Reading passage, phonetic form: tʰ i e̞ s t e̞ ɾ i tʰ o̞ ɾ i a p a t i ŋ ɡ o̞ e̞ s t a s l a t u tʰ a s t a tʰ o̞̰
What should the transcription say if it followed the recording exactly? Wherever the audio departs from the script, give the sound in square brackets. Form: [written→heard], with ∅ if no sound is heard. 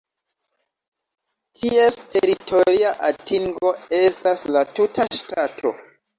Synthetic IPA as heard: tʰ i e̞ s t e̞ ɾ i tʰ o̞ ɾ i a [p→ʔ] a t i ŋ ɡ o̞ e̞ s t a s l a t u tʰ a [s→ʃ] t a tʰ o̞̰